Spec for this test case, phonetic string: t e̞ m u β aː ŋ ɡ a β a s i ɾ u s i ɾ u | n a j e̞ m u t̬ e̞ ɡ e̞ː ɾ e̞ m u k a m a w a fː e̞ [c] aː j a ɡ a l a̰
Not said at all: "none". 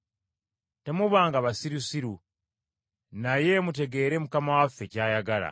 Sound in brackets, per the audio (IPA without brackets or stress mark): c